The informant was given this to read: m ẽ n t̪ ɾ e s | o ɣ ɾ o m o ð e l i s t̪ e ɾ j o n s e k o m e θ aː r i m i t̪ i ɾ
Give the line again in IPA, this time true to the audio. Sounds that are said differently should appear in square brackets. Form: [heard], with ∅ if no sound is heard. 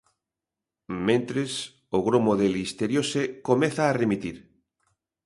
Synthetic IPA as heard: m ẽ n t̪ ɾ e s | o ɣ ɾ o m o ð e l i s t̪ e ɾ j o [∅] s e k o m e θ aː r [e] m i t̪ i ɾ